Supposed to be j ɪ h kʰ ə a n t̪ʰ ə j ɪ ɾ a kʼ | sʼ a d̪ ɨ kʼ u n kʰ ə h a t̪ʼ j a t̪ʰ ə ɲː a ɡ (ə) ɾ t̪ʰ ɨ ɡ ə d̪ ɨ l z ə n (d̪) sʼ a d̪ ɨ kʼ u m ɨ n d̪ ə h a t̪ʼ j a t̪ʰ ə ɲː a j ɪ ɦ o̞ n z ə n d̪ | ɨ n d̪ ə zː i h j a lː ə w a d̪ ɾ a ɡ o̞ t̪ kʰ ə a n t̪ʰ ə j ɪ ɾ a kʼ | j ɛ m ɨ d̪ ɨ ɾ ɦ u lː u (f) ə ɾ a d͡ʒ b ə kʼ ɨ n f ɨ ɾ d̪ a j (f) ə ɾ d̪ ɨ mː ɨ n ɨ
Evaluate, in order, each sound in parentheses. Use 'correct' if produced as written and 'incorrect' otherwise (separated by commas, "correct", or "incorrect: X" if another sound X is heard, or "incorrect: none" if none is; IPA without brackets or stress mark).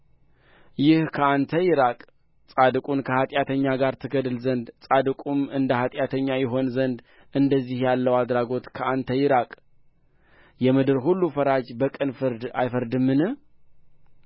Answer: incorrect: a, correct, correct, correct